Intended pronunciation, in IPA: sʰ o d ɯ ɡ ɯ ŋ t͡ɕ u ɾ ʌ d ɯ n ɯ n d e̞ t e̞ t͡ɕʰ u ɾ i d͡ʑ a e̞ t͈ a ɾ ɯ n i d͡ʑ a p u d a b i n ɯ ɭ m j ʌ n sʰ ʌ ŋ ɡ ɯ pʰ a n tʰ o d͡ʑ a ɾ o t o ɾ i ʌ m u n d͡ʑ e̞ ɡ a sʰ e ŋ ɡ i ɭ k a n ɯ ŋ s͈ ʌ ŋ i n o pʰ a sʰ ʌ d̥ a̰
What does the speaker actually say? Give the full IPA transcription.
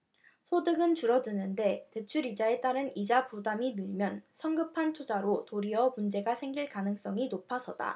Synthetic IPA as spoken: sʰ o d ɯ ɡ ɯ n t͡ɕ u ɾ ʌ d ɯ n ɯ n d e̞ t e̞ t͡ɕʰ u ɾ i d͡ʑ a e̞ t͈ a ɾ ɯ n i d͡ʑ a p u d a m i n ɯ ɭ m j ʌ n sʰ ʌ ŋ ɡ ɯ pʰ a n tʰ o d͡ʑ a ɾ o t o ɾ i ʌ m u n d͡ʑ e̞ ɡ a sʰ e ŋ ɡ i ɭ k a n ɯ ŋ s͈ ʌ ŋ i n o pʰ a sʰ ʌ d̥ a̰